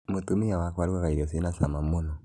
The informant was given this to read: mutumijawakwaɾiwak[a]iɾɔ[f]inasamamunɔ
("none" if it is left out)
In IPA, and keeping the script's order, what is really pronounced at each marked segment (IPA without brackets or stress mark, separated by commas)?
a, s